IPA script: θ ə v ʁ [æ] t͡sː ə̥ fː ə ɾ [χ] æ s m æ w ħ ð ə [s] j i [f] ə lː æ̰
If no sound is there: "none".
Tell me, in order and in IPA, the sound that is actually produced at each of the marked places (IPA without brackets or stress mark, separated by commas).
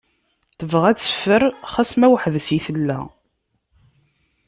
æ, χ, s, θ